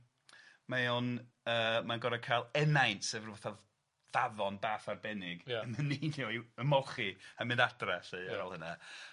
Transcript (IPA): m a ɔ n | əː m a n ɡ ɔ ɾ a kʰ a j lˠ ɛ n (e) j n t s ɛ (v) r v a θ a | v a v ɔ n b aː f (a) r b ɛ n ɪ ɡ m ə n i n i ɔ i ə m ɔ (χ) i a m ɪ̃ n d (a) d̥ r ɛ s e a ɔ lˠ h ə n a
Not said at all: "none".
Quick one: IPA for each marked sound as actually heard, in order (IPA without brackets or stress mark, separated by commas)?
a, v, a, χ, a